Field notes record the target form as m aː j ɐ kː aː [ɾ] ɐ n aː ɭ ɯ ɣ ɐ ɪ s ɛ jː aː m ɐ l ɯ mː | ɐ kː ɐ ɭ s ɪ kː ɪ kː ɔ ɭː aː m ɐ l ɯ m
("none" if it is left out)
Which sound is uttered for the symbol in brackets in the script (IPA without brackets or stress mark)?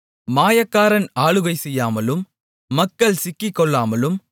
ɾ